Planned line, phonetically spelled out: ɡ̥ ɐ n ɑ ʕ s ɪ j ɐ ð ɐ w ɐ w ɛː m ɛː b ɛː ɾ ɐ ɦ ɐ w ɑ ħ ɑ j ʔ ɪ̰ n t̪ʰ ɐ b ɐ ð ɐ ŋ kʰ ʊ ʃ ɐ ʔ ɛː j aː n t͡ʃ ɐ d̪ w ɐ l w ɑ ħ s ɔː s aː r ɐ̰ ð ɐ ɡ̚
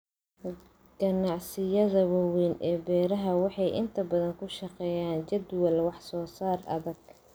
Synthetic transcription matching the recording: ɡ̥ ɐ n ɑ ʕ s ɪ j ɐ ð ɐ w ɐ w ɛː n ɛː b ɛː ɾ ɐ ɦ ɐ w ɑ ħ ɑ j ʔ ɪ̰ n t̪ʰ ɐ b ɐ ð ɐ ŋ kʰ ʊ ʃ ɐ q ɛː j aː n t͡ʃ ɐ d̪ w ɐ l w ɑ ħ s ɔː s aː r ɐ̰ ð ɐ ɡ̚